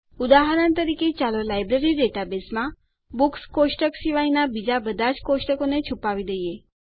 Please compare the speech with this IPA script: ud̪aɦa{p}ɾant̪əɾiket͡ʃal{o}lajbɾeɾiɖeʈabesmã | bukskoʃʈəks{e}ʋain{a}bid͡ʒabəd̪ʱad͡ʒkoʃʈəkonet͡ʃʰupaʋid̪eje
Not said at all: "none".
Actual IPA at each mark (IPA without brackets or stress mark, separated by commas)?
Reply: none, o, i, a